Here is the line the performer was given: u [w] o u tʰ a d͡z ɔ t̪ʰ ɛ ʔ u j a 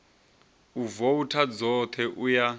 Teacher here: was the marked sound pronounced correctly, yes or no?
no